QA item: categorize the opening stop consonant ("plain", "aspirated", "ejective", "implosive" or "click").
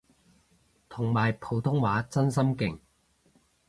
aspirated